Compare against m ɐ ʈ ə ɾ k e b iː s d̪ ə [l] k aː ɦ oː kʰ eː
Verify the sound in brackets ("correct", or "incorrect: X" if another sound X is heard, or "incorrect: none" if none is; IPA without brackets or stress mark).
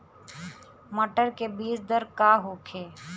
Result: incorrect: ɾ